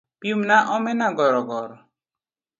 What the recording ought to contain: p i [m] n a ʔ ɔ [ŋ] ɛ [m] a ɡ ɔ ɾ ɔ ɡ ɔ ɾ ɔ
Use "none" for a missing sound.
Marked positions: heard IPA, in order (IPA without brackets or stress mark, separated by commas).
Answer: m, m, n